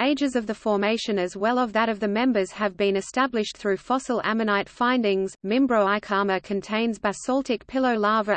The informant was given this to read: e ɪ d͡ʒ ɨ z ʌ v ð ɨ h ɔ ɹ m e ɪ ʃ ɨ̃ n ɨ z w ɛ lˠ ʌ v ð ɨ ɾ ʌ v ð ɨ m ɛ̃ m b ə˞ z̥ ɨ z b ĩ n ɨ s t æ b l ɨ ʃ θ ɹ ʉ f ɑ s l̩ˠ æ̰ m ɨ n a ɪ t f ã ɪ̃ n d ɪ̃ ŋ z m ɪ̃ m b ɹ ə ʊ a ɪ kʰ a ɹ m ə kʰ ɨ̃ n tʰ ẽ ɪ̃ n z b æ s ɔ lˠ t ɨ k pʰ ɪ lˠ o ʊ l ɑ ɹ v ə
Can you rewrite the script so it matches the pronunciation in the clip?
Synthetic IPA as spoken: e ɪ d͡ʒ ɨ z ʌ v ð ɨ f ɔ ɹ m e ɪ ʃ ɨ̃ n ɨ z w ɛ lˠ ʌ v ð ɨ ɾ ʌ v ð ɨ m ɛ̃ m b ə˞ z̥ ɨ v b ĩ n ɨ s t æ b l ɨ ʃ θ ɹ ʉ f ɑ s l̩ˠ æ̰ m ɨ n a ɪ t f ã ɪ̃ n d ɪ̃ ŋ z m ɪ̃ m b ɹ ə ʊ a ɪ kʰ ɑ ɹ m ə kʰ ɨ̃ n tʰ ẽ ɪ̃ n z b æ s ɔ lˠ t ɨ k pʰ ɪ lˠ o ʊ l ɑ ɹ v ə